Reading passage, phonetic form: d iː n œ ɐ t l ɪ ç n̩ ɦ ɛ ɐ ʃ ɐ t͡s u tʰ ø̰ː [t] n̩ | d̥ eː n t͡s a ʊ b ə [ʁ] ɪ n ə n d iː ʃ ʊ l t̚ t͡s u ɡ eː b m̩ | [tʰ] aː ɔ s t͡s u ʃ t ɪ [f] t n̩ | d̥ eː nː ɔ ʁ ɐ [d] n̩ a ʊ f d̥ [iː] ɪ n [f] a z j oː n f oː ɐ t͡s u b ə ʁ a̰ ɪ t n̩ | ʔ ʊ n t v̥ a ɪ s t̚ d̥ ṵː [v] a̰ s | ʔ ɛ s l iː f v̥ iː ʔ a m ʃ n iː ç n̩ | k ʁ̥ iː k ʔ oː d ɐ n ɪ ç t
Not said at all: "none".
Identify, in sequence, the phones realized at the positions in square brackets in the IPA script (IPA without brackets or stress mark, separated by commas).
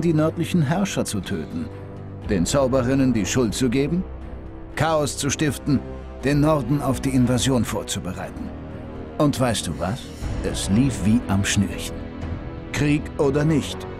t, ʁ, kʰ, f, d, iː, v, v